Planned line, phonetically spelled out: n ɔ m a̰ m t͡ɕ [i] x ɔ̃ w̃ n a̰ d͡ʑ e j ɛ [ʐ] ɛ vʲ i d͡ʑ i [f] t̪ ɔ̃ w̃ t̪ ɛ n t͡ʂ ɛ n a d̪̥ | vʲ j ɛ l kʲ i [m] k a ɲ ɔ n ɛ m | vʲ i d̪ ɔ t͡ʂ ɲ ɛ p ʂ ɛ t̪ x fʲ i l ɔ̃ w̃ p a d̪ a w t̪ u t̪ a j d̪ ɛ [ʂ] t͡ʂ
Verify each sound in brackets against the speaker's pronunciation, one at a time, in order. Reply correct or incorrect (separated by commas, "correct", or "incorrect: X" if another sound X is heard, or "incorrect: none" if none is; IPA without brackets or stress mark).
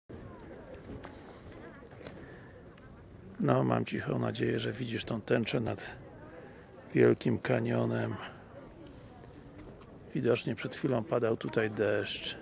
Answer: correct, correct, incorrect: ʂ, correct, correct